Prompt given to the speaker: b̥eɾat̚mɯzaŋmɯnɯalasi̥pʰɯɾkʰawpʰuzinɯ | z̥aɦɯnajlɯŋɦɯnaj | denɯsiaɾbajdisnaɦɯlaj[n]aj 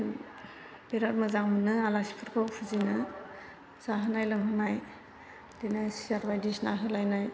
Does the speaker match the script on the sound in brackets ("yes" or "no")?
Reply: yes